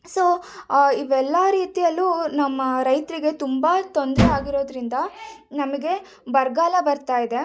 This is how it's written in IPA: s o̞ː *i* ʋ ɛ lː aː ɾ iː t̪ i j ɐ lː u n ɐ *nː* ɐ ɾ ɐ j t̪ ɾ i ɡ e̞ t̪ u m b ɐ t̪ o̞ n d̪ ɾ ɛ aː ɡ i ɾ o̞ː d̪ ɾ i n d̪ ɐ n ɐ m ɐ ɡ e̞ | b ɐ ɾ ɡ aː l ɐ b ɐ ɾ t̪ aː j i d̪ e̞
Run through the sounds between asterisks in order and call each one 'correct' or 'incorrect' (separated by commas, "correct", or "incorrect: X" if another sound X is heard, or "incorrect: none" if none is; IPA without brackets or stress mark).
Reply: correct, incorrect: mː